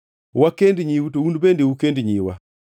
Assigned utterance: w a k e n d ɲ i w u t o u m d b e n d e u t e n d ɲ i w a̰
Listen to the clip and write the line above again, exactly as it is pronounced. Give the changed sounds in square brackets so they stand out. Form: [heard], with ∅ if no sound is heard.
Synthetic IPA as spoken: w a k e n d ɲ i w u t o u [n] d b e n d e u [k] e n d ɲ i w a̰